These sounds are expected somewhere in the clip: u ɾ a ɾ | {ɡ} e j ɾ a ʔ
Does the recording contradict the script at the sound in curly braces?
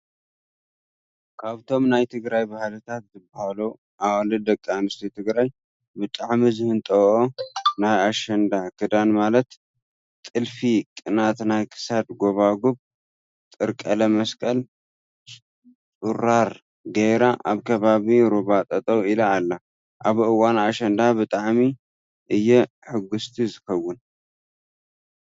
no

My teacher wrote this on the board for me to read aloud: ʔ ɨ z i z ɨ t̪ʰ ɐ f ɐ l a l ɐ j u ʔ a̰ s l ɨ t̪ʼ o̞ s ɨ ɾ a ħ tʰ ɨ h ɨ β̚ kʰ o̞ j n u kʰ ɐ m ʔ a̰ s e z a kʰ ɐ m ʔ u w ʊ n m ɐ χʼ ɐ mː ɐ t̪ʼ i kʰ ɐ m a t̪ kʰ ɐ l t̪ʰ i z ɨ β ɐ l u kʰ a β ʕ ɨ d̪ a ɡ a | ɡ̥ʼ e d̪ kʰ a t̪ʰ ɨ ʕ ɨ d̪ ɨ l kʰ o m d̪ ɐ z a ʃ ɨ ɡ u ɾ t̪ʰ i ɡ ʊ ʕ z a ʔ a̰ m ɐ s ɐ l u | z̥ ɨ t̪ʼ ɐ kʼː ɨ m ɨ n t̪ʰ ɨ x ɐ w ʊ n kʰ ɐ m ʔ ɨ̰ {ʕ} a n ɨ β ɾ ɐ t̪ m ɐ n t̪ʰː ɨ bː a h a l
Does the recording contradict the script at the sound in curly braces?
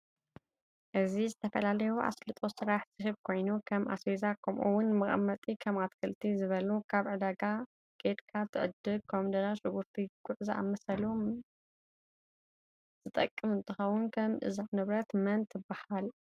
yes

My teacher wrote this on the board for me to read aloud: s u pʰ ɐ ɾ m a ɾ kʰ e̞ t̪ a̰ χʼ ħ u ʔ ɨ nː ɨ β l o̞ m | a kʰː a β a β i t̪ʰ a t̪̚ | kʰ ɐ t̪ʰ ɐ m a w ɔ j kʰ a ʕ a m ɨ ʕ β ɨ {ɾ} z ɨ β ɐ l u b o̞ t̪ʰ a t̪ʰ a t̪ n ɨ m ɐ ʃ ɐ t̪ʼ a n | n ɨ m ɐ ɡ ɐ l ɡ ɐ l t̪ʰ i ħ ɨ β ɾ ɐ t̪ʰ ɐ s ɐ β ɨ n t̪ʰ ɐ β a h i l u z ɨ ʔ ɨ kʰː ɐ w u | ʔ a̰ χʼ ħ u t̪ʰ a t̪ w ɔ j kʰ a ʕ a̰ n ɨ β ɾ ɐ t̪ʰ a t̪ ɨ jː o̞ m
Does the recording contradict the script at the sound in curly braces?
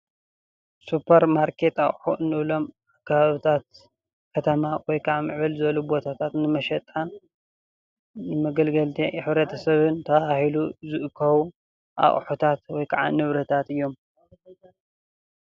yes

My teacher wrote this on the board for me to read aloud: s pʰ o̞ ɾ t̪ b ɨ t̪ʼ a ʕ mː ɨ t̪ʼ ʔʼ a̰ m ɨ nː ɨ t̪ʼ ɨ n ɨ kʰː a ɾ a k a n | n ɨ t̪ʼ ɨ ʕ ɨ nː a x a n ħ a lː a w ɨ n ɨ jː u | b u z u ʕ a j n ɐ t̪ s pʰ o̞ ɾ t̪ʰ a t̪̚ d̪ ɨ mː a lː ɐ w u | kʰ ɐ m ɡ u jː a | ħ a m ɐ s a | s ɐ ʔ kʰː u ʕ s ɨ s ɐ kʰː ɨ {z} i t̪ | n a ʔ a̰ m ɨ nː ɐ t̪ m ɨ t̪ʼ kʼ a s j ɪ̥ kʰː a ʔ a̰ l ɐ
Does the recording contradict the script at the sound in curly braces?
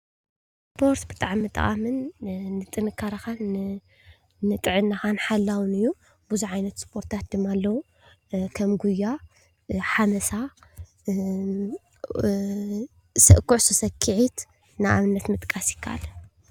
yes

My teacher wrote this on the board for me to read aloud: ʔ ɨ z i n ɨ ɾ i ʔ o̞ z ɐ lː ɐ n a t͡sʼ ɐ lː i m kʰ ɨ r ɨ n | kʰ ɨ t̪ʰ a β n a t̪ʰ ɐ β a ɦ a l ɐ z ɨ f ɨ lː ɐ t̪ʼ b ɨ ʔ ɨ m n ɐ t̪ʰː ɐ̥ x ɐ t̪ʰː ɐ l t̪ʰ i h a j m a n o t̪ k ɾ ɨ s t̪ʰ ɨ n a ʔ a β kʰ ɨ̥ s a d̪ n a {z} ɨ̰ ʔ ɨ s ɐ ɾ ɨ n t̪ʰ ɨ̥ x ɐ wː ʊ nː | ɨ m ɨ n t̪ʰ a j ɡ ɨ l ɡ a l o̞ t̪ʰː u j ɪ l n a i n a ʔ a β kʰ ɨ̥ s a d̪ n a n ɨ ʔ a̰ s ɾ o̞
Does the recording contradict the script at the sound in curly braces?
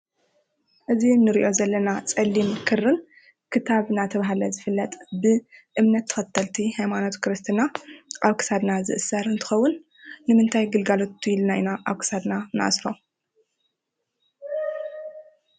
no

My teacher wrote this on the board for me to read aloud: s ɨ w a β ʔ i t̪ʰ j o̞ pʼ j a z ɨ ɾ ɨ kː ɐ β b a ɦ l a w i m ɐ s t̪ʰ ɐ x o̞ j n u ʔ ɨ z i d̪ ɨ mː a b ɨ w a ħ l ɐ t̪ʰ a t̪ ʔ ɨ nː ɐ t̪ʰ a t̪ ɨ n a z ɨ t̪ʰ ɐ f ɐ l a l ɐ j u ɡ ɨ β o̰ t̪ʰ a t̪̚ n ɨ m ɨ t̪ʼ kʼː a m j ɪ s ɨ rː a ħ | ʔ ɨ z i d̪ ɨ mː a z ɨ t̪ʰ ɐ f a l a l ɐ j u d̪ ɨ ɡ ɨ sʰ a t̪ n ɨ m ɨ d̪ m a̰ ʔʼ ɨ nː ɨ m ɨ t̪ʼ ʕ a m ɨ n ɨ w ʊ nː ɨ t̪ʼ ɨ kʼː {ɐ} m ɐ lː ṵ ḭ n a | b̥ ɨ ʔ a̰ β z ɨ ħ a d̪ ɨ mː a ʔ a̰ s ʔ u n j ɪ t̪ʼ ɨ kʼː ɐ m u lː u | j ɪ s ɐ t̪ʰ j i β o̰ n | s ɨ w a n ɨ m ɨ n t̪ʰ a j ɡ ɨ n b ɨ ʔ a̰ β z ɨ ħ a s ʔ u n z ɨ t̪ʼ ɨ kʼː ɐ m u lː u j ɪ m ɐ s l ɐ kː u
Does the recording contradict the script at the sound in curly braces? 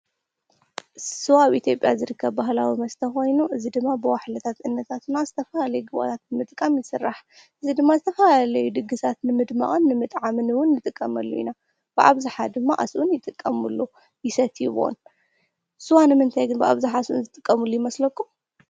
no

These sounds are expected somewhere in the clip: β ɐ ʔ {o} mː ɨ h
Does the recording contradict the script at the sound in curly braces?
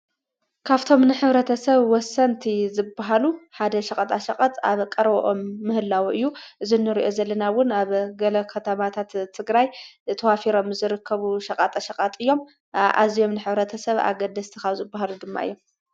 no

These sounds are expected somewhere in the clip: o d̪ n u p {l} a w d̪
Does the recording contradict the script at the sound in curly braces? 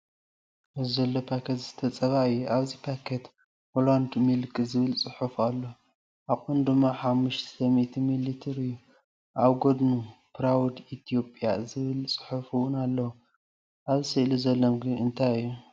yes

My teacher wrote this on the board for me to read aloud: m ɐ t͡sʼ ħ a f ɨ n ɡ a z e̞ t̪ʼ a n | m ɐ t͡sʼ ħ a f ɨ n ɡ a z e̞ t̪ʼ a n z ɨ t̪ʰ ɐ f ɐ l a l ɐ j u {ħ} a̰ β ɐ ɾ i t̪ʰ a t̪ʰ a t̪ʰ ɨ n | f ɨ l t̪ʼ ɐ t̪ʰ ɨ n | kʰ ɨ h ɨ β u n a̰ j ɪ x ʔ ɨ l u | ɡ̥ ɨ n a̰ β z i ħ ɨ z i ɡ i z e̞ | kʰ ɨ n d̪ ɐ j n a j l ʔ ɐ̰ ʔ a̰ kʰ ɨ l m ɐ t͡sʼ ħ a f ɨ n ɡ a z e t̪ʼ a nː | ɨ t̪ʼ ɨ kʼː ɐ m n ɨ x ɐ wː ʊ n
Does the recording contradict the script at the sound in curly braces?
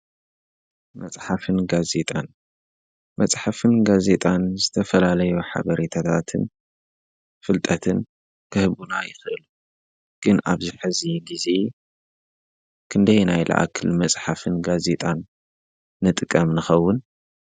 no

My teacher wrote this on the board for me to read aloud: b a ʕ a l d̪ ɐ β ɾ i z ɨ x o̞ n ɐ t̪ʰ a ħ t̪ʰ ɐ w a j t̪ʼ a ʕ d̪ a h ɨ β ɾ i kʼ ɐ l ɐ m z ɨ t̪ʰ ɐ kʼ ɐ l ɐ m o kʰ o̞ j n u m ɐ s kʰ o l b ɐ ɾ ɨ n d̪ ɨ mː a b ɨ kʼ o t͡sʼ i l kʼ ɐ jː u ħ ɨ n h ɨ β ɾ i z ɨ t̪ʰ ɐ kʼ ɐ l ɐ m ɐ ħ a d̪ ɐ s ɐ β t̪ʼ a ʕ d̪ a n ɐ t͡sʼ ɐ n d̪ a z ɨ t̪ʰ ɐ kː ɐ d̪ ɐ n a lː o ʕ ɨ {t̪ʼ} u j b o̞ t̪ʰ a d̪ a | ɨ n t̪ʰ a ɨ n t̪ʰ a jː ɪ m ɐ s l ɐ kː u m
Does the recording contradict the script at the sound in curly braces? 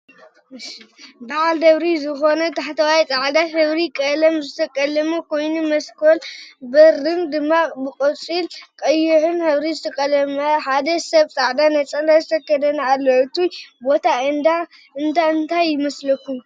yes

